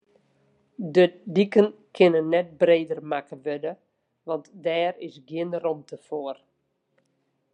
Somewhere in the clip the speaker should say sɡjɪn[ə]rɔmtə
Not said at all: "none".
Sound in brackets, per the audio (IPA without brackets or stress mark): ə